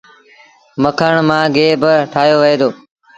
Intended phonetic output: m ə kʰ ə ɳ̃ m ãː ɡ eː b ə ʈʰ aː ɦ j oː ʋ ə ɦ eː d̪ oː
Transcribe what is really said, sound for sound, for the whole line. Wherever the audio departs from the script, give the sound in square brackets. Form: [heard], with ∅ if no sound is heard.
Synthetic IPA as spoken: m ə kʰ ə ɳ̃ m ãː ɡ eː b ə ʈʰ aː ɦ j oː ʋ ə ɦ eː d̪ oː